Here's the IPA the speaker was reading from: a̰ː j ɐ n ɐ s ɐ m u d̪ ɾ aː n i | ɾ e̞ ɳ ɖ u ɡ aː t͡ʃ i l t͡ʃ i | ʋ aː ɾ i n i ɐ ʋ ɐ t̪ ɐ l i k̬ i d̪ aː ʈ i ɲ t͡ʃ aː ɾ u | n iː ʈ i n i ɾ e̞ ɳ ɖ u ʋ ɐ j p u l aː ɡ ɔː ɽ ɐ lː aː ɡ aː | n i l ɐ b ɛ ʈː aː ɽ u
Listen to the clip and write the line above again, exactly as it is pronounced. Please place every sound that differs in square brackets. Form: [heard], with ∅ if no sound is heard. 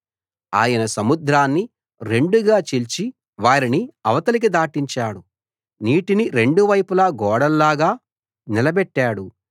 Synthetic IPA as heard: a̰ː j ɐ n ɐ s ɐ m u d̪ ɾ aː [nː] i | ɾ e̞ ɳ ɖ u ɡ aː t͡ʃ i l t͡ʃ i | ʋ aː ɾ i n i ɐ ʋ ɐ t̪ ɐ l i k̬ i d̪ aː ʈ i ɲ t͡ʃ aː [ɽ] u | n iː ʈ i n i ɾ e̞ ɳ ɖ u ʋ ɐ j p u l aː ɡ ɔː ɽ ɐ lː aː ɡ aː | n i l ɐ b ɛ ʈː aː ɽ u